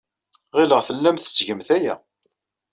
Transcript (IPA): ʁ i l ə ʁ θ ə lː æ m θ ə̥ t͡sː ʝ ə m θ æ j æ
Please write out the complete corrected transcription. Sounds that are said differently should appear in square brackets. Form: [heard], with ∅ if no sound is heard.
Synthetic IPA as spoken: ʁ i l ə ʁ θ ə lː æ m θ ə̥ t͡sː ʝ ə m θ æ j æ

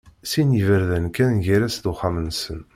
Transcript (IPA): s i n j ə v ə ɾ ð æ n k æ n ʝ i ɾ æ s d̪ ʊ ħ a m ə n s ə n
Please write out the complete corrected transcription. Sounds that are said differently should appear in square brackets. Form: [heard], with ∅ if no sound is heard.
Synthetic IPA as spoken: s i n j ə v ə ɾ ð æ n k æ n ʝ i ɾ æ s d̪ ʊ [χ] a m ə n s ə n

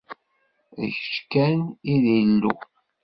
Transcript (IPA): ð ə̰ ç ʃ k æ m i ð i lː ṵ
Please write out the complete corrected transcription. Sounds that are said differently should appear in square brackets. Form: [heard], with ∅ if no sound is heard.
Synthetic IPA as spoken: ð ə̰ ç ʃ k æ [n] i ð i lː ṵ

